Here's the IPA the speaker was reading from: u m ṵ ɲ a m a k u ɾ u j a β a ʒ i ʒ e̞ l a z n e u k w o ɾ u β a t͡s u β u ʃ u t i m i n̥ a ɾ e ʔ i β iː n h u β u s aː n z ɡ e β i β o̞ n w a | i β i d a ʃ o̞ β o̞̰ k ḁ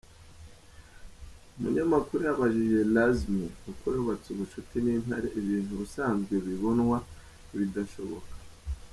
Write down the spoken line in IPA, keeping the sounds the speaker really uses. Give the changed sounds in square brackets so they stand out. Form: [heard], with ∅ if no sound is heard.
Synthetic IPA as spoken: u m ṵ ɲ a m a k u ɾ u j a β a ʒ i ʒ e̞ l a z [m] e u k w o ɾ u β a t͡s u β u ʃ u t i [n] i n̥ a ɾ e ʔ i β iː n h u β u s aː n z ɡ e β i β o̞ n w a | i β i d a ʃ o̞ β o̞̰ k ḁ